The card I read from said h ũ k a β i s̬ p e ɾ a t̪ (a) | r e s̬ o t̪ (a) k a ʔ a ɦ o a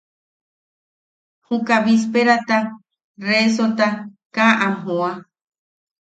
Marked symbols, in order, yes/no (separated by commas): yes, yes